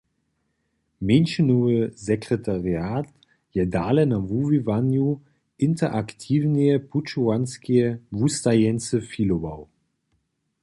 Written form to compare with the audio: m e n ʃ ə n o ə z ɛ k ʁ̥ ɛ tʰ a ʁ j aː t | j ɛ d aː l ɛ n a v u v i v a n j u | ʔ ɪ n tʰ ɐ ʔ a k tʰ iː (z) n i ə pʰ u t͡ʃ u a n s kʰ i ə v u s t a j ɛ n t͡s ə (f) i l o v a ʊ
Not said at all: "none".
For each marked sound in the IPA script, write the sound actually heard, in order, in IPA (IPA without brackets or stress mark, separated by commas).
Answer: v, f